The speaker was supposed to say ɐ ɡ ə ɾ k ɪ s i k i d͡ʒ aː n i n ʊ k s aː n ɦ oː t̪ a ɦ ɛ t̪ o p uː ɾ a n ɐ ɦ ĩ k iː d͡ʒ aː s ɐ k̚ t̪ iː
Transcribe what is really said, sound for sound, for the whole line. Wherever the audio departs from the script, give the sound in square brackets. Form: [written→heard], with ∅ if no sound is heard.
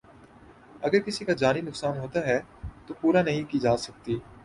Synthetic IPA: ɐ ɡ ə ɾ k ɪ s i k [i→a] d͡ʒ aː n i n ʊ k s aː n ɦ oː t̪ a ɦ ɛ t̪ o p uː ɾ a n ɐ ɦ ĩ k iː d͡ʒ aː s ɐ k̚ t̪ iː